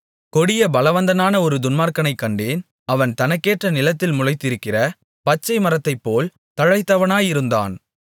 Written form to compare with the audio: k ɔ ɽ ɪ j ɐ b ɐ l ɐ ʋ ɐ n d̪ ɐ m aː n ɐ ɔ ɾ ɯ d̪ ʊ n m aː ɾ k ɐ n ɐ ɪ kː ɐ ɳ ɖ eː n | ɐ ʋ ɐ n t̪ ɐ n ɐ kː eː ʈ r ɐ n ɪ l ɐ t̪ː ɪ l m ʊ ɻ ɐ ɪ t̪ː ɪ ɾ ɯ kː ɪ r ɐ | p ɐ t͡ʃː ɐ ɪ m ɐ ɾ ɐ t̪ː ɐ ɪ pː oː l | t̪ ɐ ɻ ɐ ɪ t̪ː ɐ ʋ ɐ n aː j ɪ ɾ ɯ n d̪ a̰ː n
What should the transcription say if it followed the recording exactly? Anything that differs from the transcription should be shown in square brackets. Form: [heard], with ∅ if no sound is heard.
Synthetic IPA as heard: k ɔ ɽ ɪ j ɐ b ɐ l ɐ ʋ ɐ n d̪ ɐ [n] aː n ɐ ɔ ɾ ɯ d̪ ʊ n m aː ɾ k ɐ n ɐ ɪ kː ɐ ɳ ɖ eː n | ɐ ʋ ɐ n t̪ ɐ n ɐ kː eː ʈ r ɐ n ɪ l ɐ t̪ː ɪ l m ʊ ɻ ɐ ɪ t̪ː ɪ ɾ ɯ kː ɪ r ɐ | p ɐ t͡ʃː ɐ ɪ m ɐ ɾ ɐ t̪ː ɐ ɪ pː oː l | t̪ ɐ ɻ ɐ ɪ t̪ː ɐ ʋ ɐ n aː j ɪ ɾ ɯ n d̪ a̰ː n

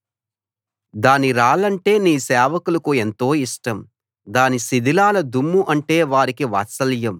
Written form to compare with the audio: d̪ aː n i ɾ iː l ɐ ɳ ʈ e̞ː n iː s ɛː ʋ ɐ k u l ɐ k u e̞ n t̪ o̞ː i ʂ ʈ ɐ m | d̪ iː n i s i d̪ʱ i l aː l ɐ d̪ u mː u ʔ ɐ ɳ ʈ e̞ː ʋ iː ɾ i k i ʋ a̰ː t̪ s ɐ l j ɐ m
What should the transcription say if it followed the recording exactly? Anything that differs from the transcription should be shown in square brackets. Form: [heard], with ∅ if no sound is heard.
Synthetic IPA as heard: d̪ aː n i ɾ [aː] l ɐ ɳ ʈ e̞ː n iː s ɛː ʋ ɐ k u l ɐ k u e̞ n t̪ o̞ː i ʂ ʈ ɐ m | d̪ [aː] n i s i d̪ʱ i l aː l ɐ d̪ u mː u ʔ ɐ ɳ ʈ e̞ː ʋ [aː] ɾ i k i ʋ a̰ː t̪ s ɐ l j ɐ m

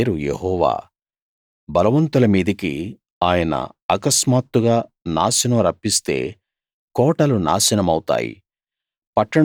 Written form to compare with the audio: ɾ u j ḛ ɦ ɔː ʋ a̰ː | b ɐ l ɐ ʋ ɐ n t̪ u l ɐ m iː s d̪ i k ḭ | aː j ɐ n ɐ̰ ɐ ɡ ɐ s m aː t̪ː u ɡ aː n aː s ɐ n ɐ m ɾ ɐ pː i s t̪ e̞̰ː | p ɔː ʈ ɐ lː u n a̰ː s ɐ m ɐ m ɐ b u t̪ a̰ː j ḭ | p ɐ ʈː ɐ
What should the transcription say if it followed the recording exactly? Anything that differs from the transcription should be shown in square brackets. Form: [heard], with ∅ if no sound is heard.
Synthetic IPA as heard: ɾ u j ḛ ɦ ɔː ʋ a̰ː | b ɐ l ɐ ʋ ɐ n t̪ u l ɐ m iː [∅] d̪ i k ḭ | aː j ɐ n ɐ̰ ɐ [k] ɐ s m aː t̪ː u ɡ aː n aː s ɐ n ɐ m ɾ ɐ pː i s t̪ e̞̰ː | [k] ɔː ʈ ɐ [l] u n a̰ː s ɐ [n] ɐ m ɐ [w] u t̪ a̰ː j ḭ | p ɐ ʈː ɐ

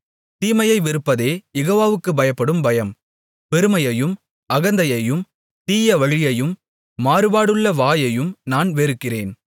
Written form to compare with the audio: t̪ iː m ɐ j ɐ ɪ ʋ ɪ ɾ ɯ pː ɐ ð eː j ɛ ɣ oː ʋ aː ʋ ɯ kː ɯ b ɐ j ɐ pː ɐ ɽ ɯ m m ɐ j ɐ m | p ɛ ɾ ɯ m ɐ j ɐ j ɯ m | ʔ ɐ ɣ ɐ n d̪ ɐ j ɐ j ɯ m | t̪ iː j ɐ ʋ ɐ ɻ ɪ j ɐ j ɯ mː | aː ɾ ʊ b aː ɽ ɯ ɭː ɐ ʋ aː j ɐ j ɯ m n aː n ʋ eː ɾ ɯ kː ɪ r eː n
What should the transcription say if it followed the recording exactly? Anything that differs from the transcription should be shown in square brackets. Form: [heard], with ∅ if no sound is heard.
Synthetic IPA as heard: t̪ iː m ɐ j ɐ ɪ ʋ ɪ ɾ ɯ pː ɐ ð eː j ɛ ɣ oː ʋ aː ʋ ɯ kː ɯ b ɐ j ɐ pː ɐ ɽ ɯ m [b] ɐ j ɐ m | p ɛ ɾ ɯ m ɐ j ɐ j ɯ m | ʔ ɐ ɣ ɐ n d̪ ɐ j ɐ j ɯ m | t̪ iː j ɐ ʋ ɐ ɻ ɪ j ɐ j ɯ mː | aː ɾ [ɯ] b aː ɽ ɯ ɭː ɐ ʋ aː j ɐ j ɯ m n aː n ʋ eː ɾ ɯ kː ɪ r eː n

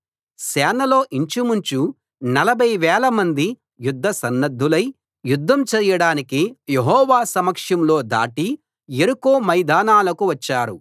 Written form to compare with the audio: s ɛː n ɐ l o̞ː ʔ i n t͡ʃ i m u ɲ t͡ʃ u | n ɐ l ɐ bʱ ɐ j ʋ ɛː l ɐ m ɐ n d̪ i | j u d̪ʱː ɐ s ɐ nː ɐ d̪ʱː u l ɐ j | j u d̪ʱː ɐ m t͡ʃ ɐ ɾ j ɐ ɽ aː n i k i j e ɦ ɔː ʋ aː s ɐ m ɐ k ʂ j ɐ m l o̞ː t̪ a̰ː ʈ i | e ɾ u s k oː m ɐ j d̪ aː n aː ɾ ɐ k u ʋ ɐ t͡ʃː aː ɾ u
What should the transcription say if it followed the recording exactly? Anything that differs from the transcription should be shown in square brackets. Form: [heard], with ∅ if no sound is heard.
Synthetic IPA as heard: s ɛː n ɐ l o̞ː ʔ i [ɲ] t͡ʃ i m u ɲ t͡ʃ u | n ɐ l ɐ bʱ ɐ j ʋ ɛː l ɐ m ɐ n d̪ i | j u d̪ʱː ɐ s ɐ nː ɐ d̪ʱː u l ɐ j | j u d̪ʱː ɐ m t͡ʃ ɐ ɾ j ɐ ɽ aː n i k i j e ɦ ɔː ʋ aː s ɐ m ɐ k ʂ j ɐ m l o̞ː [d̪] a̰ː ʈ i | e ɾ u [∅] k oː m ɐ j d̪ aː n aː [l] ɐ k u ʋ ɐ t͡ʃː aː ɾ u

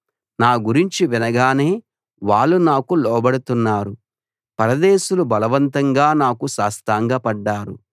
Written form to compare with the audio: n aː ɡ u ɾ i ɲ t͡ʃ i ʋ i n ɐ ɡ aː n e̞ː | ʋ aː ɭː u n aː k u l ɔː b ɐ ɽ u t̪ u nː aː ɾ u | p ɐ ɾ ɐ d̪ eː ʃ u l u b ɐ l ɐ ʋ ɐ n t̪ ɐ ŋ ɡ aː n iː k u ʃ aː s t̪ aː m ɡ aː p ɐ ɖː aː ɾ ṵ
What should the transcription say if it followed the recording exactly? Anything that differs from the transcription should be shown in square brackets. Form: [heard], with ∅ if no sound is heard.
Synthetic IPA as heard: n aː ɡ u ɾ i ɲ t͡ʃ i ʋ i n ɐ ɡ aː n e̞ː | ʋ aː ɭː u n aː k u l ɔː b ɐ ɽ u t̪ u nː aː ɾ u | p ɐ ɾ ɐ d̪ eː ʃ u l u b ɐ l ɐ ʋ ɐ n t̪ ɐ ŋ ɡ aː n [aː] k u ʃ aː s t̪ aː [ŋ] ɡ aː p ɐ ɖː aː ɾ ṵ

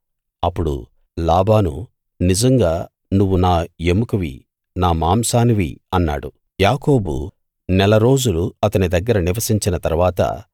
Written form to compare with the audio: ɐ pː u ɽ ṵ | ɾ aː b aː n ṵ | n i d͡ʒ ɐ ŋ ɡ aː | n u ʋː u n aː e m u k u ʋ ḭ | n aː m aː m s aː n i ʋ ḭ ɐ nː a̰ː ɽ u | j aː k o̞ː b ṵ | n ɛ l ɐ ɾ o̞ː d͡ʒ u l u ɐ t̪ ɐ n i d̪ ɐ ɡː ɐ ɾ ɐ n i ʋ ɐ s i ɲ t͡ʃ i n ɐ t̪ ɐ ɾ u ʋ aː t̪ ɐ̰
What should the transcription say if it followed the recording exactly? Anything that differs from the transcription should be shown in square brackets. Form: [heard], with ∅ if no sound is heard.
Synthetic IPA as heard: ɐ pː u ɽ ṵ | [l] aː b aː n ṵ | n i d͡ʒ ɐ ŋ ɡ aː | n u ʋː u n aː e m u k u ʋ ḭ | n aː m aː m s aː n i ʋ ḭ ɐ nː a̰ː ɽ u | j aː k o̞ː b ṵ | n ɛ l ɐ ɾ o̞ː d͡ʒ u l u ɐ t̪ ɐ n i d̪ ɐ ɡː ɐ ɾ ɐ n i ʋ ɐ s i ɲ t͡ʃ i n ɐ t̪ ɐ ɾ u ʋ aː t̪ ɐ̰

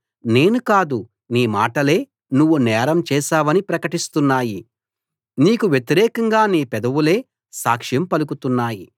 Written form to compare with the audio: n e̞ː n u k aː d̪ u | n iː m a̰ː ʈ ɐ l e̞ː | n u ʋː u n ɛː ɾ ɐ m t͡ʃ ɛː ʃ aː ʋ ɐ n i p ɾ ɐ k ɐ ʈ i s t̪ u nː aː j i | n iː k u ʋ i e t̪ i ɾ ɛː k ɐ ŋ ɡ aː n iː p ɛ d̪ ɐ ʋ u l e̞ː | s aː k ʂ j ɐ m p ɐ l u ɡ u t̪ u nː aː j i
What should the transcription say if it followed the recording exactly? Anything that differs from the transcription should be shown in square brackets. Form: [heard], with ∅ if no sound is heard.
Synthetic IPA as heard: n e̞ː n u k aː d̪ u | n iː m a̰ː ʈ ɐ l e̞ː | n u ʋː u n ɛː ɾ ɐ m t͡ʃ ɛː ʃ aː ʋ ɐ n i p ɾ ɐ k ɐ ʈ i s t̪ u nː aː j i | n iː k u ʋ [j] e t̪ i ɾ ɛː k ɐ ŋ ɡ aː n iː p ɛ d̪ ɐ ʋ u l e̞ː | s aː k ʂ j ɐ m p ɐ l u [k] u t̪ u nː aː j i

